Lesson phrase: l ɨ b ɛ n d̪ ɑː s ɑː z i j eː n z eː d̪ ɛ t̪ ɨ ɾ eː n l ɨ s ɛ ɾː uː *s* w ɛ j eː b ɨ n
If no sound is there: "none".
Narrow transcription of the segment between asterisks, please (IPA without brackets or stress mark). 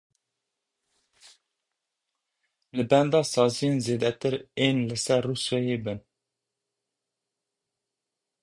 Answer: s